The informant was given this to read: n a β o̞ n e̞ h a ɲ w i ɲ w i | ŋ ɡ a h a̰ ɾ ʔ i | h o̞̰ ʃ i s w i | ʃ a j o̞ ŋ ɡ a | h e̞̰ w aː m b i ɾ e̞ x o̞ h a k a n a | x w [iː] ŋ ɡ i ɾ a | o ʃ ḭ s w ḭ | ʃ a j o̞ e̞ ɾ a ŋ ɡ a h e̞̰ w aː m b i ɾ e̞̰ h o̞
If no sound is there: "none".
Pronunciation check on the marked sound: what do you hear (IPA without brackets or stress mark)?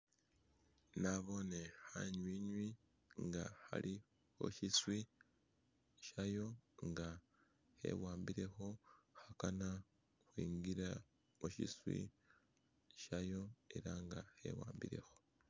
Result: iː